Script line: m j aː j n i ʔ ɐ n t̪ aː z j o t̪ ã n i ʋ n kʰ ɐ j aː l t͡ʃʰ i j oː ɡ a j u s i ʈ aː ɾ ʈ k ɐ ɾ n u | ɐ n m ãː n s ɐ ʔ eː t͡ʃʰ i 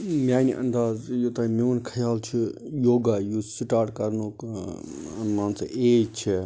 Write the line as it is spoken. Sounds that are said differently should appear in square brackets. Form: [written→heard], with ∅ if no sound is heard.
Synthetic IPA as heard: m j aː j n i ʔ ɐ n [t̪→d̪] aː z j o t̪ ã [n→m] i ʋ n kʰ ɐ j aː l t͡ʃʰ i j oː ɡ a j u s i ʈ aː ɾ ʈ k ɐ ɾ n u | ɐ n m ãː n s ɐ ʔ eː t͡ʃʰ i